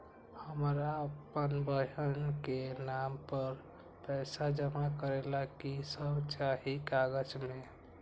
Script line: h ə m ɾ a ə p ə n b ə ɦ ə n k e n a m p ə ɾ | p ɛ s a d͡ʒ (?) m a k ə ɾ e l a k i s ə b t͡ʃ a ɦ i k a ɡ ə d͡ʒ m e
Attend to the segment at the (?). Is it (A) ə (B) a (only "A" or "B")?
A